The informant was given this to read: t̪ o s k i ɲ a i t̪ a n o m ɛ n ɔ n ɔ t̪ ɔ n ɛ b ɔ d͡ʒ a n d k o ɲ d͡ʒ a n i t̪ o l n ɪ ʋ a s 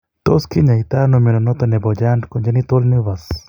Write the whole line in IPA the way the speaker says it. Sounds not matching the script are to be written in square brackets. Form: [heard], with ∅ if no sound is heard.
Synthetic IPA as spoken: t̪ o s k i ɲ a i t̪ a n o m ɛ n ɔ n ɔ t̪ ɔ n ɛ b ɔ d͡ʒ a n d k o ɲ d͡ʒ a n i t̪ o l n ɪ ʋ a s